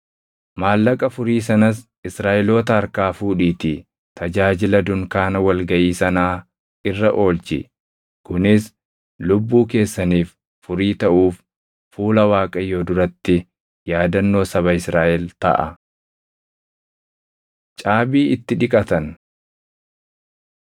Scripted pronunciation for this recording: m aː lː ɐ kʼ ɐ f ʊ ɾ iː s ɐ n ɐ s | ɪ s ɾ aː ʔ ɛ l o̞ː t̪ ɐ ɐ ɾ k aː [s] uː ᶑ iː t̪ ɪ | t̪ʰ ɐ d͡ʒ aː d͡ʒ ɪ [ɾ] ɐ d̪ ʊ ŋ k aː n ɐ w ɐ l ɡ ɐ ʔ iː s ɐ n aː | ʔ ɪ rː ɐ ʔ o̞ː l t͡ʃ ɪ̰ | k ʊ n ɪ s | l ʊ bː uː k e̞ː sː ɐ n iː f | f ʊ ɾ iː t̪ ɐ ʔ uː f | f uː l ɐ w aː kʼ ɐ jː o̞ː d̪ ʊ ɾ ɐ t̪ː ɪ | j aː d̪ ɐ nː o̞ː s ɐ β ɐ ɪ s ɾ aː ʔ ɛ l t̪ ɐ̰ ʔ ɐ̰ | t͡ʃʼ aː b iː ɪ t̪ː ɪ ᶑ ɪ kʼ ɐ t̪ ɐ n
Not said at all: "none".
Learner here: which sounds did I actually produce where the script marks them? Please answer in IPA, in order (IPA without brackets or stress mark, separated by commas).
f, l